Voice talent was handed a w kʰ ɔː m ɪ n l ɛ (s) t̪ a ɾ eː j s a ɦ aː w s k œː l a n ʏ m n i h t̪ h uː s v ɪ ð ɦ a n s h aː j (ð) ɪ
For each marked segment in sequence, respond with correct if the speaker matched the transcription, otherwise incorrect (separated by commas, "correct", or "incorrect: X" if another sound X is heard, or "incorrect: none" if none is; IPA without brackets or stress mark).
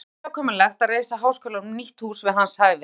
incorrect: x, incorrect: v